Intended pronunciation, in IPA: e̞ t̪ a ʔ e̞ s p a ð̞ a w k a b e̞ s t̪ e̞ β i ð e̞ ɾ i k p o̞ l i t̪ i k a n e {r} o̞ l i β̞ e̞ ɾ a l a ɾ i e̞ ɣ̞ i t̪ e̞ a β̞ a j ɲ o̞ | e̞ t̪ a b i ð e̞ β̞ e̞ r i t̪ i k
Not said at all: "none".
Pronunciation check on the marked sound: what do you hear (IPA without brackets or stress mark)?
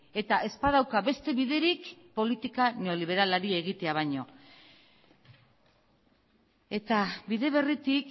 none